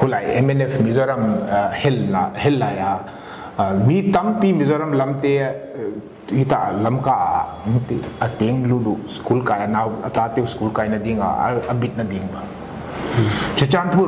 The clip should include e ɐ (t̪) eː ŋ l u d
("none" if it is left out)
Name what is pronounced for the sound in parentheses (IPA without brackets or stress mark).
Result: t̪